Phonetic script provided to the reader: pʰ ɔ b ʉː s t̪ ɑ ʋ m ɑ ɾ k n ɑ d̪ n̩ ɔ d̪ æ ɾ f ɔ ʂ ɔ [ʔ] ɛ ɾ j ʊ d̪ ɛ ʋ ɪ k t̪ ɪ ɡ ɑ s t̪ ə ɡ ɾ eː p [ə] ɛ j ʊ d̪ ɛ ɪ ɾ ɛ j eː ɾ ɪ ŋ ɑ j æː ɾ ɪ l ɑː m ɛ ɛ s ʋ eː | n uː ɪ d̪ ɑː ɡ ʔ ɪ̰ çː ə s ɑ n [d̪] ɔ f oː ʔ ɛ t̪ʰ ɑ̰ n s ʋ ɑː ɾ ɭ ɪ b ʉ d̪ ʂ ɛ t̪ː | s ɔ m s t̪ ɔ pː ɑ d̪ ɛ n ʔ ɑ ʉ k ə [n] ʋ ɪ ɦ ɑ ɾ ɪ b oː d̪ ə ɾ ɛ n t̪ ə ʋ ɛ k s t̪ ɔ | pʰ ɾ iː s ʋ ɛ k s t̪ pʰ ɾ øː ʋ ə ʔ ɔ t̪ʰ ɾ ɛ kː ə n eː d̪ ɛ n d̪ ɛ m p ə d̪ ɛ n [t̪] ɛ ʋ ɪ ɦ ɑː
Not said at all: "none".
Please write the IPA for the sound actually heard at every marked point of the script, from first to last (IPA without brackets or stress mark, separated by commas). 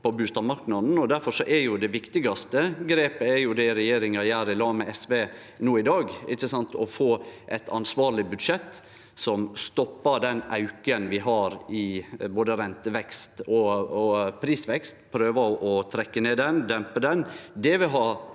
ʔ, ə, t̪, n, d̪